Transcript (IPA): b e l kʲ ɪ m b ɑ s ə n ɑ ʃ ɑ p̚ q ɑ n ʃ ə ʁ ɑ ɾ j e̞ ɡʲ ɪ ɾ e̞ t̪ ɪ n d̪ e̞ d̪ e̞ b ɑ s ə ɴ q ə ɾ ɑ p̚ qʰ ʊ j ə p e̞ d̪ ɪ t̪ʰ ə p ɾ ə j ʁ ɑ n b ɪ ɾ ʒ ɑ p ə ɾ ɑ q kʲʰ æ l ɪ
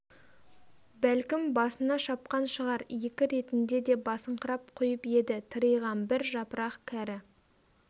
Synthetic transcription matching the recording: b æ l kʲ ɪ m b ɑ s ə n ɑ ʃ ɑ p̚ q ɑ n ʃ ə ʁ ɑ ɾ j e̞ kʲ ɪ ɾ e̞ t̪ ɪ n d̪ e̞ d̪ e̞ b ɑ s ə ɴ q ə ɾ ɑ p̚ qʰ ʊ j ə p e̞ d̪ ɪ t̪ʰ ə ɾ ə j ʁ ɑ n b ɪ ɾ ʒ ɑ p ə ɾ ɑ q kʲʰ æ ɾ ɪ